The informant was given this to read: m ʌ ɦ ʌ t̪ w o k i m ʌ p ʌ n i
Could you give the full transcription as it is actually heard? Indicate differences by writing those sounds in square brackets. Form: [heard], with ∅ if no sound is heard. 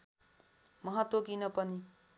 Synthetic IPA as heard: m ʌ ɦ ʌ t̪ w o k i [n] ʌ p ʌ n i